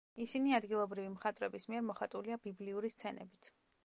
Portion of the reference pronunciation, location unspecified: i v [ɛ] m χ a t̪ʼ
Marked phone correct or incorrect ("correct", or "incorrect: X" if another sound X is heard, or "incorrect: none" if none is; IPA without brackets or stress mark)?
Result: incorrect: i